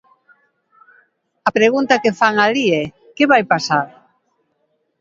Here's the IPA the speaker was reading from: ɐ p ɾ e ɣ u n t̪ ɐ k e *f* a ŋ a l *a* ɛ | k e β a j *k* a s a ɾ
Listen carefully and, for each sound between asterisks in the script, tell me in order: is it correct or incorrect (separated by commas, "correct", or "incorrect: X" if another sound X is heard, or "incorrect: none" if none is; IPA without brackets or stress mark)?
correct, incorrect: i, incorrect: p